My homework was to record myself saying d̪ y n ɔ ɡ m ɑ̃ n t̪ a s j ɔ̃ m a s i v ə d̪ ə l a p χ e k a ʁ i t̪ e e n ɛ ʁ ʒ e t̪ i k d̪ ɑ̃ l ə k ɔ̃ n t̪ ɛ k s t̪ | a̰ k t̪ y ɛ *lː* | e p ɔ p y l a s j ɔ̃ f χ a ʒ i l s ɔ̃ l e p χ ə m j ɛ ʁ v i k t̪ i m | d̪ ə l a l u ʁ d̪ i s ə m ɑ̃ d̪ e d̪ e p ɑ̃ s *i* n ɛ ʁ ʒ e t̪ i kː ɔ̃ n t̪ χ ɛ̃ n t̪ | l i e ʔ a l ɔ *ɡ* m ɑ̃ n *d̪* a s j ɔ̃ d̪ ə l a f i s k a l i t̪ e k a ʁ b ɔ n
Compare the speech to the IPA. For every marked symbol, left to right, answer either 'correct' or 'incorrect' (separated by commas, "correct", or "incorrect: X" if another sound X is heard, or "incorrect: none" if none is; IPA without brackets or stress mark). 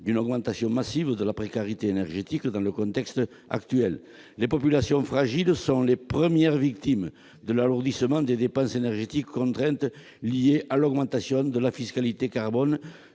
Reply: correct, incorrect: e, correct, incorrect: t̪